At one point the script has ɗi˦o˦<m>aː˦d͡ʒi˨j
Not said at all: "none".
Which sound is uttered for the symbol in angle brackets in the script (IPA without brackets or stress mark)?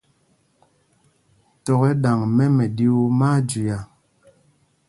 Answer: m